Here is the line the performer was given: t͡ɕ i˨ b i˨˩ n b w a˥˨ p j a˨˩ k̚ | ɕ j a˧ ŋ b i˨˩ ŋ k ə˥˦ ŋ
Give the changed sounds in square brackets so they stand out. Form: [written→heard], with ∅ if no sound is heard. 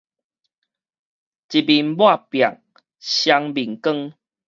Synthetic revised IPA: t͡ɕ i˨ b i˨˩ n b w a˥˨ p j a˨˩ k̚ | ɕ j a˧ ŋ b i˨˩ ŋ k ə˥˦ ŋ